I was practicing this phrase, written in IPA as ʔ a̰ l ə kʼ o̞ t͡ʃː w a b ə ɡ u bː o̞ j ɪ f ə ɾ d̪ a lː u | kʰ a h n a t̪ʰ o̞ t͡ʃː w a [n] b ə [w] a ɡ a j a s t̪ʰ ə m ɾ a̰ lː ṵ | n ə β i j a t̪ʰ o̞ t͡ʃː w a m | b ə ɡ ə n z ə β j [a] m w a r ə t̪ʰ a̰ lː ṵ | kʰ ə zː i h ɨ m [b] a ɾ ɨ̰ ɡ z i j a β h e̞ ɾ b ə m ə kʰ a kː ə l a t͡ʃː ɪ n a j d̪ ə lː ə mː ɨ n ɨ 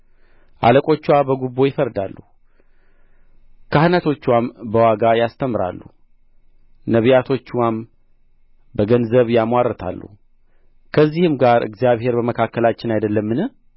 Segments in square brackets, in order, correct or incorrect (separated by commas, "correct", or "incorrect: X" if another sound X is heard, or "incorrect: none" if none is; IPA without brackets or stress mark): incorrect: m, correct, correct, incorrect: ɡ